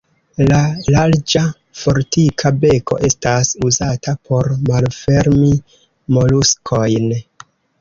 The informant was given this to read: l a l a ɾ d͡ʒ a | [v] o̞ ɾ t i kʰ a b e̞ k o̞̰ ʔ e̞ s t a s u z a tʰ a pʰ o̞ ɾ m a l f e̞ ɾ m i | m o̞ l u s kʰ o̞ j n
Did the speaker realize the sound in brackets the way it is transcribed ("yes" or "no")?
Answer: no